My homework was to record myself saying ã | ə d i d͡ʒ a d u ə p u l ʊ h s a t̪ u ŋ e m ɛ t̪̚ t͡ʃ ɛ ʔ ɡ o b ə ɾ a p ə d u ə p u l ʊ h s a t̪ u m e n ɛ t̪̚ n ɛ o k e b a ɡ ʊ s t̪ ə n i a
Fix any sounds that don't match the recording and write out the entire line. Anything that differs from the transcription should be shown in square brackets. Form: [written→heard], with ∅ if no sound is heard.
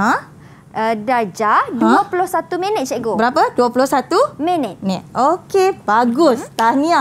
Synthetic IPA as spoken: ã | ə d [i→a] d͡ʒ a d u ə p u l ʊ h s a t̪ u [ŋ→m] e [m→n] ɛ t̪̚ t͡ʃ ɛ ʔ ɡ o b ə ɾ a p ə d u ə p u l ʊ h s a t̪ u m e n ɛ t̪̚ n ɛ o k e b a ɡ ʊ s t̪ [ə→a] n i a